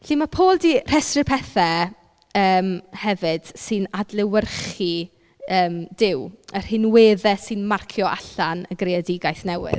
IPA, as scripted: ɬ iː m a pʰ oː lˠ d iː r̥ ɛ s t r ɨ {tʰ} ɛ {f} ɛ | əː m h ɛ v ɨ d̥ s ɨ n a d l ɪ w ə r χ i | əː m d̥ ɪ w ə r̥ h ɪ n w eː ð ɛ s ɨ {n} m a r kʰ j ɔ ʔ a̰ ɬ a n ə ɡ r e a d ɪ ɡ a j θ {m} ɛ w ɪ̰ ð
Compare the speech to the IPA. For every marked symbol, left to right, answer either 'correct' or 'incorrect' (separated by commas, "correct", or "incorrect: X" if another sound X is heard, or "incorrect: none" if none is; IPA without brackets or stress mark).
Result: incorrect: pʰ, incorrect: θ, correct, incorrect: n